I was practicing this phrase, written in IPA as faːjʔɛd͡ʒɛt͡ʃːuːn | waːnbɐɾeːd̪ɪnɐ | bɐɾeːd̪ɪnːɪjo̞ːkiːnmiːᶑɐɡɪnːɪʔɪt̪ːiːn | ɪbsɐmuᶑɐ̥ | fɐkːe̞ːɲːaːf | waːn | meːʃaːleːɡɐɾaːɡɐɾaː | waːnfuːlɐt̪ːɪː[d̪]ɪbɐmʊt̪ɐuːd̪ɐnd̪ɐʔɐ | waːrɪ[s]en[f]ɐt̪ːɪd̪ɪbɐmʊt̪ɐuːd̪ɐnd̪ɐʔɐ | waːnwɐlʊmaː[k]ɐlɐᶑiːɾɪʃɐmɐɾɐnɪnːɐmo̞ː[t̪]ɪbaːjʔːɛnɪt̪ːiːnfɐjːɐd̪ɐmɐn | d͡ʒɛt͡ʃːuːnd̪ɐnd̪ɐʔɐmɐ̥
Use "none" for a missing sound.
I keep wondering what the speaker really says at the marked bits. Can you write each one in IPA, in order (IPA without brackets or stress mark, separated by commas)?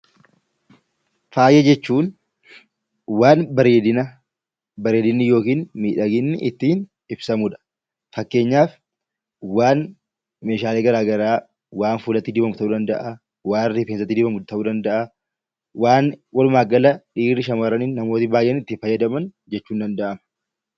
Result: d̪, f, s, ɡ, t̪